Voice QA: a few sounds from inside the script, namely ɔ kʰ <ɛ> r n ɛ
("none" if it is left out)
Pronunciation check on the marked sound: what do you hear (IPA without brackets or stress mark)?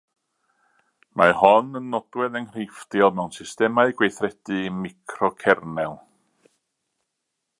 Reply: ɛ